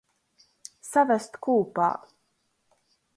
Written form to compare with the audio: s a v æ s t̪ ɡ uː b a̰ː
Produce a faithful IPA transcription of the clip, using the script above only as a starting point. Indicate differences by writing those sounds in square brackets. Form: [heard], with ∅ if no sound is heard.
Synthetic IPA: s a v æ s t̪ [k] uː [p] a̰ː